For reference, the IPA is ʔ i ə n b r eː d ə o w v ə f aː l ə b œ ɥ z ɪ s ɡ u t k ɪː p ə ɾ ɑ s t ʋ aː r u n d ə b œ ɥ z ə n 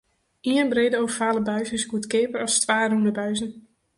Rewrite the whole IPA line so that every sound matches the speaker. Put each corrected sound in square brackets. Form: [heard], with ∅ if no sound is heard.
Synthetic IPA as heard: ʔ i ə n b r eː d ə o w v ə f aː l ə b œ ɥ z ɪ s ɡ u t k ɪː p ə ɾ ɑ s t ʋ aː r u n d ə b œ ɥ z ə n